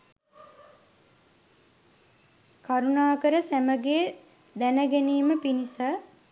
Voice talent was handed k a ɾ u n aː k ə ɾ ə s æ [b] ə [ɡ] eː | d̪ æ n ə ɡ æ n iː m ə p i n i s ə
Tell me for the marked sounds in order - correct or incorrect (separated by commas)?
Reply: incorrect, correct